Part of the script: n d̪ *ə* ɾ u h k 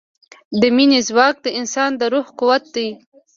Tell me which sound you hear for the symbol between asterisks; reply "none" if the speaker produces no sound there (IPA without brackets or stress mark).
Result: ə